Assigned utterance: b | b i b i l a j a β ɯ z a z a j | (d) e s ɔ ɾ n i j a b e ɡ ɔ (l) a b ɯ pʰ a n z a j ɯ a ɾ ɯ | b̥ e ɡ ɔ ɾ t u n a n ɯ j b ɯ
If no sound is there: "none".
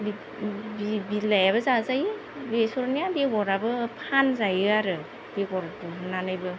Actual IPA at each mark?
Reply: b, ɾ

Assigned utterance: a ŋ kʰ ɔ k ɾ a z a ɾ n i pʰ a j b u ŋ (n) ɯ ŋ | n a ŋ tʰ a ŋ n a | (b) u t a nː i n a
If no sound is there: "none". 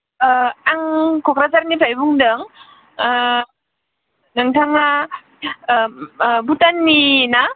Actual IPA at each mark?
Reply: d, b

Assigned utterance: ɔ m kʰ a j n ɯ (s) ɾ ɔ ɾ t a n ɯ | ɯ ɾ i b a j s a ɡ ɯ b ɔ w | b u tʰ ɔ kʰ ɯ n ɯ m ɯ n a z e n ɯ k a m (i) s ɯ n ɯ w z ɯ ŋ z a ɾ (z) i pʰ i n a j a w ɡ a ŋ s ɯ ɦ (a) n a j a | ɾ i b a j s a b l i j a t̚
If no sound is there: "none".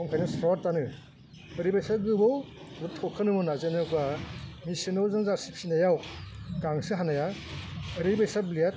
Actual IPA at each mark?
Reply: s, i, s, a

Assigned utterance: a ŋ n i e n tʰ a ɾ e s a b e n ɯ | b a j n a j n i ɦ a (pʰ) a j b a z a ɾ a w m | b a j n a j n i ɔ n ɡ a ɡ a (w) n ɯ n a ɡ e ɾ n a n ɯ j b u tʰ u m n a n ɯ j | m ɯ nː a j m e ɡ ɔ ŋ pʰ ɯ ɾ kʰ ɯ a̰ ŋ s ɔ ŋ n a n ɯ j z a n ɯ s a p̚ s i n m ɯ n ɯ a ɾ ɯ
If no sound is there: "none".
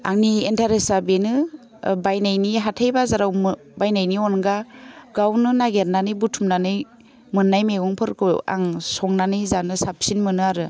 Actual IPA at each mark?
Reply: tʰ, w

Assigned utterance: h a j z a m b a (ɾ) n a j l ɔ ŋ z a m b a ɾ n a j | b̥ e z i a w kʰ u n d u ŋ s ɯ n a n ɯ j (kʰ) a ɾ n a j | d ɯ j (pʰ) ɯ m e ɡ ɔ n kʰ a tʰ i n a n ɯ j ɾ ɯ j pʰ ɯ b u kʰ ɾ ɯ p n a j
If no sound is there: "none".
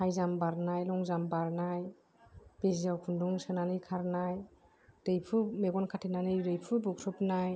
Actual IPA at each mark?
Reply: ɾ, kʰ, pʰ

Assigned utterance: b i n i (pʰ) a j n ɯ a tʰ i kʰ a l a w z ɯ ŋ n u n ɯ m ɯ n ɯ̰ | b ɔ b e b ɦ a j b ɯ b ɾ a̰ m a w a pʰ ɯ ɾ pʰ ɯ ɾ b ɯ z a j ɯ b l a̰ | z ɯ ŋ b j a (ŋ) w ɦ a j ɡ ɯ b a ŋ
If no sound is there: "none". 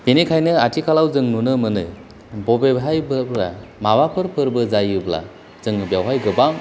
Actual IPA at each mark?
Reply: kʰ, none

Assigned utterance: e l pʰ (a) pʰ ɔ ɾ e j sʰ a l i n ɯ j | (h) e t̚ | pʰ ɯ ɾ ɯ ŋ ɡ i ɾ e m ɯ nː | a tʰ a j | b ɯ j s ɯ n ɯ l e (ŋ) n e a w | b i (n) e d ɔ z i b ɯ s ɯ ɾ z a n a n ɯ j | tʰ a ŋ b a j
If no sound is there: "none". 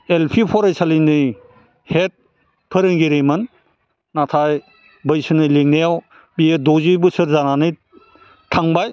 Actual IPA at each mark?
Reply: i, h, ŋ, none

